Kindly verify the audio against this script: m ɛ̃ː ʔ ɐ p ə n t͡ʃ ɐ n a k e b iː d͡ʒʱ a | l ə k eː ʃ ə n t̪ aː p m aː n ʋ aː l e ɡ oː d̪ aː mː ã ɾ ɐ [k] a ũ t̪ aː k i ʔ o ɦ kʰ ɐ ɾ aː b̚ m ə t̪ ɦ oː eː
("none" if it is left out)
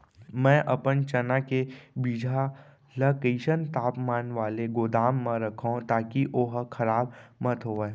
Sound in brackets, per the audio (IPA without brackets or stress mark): kʰ